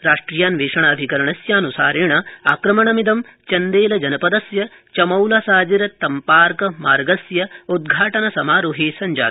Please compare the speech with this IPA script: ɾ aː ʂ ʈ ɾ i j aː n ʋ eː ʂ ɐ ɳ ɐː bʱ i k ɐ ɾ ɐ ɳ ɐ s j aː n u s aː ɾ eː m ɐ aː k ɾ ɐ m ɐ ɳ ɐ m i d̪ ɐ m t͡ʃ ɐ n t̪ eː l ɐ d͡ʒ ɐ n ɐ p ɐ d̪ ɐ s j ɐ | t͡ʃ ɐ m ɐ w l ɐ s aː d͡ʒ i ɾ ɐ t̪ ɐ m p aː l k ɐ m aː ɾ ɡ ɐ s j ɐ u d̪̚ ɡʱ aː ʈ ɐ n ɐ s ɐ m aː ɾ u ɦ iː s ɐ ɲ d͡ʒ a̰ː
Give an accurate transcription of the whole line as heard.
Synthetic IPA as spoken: ɾ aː ʂ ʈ ɾ i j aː n ʋ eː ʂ ɐ ɳ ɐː bʱ i k ɐ ɾ ɐ ɳ ɐ s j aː n u s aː ɾ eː ɳ ɐ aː k ɾ ɐ m ɐ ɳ ɐ m i d̪ ɐ m t͡ʃ ɐ n d̪ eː l ɐ d͡ʒ ɐ n ɐ p ɐ d̪ ɐ s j ɐ | t͡ʃ ɐ m ɐ w l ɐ s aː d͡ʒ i ɾ ɐ t̪ ɐ m p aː ɾ k ɐ m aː ɾ ɡ ɐ s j ɐ u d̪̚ ɡʱ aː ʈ ɐ n ɐ s ɐ m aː ɾ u ɦ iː s ɐ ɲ d͡ʒ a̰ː